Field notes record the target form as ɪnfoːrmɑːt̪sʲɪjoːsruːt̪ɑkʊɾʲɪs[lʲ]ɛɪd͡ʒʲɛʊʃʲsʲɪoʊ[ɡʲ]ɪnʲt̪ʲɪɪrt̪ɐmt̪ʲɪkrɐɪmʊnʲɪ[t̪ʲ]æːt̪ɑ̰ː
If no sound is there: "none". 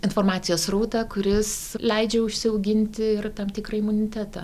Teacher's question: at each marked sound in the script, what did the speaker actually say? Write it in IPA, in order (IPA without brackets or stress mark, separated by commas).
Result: lʲ, ɡʲ, t̪ʲ